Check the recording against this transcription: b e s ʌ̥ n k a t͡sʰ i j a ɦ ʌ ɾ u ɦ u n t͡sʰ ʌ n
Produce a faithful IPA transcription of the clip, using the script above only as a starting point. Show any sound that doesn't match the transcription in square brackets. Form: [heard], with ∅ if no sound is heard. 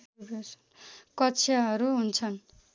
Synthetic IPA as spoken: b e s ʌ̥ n k [ʌ] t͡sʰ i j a ɦ ʌ ɾ u ɦ u n t͡sʰ ʌ n